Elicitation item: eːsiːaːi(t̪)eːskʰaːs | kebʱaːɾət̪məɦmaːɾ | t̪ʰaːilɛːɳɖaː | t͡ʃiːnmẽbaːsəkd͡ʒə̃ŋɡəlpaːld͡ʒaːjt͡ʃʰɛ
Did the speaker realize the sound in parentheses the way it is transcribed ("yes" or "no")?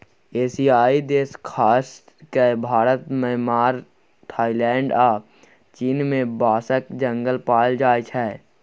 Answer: no